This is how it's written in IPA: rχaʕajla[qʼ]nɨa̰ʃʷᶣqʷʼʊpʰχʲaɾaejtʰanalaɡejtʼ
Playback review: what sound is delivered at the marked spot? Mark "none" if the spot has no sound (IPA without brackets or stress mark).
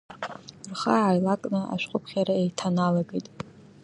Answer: kʼ